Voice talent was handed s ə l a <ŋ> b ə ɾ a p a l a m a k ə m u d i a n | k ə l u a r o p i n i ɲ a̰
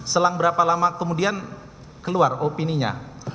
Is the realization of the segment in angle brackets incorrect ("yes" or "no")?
no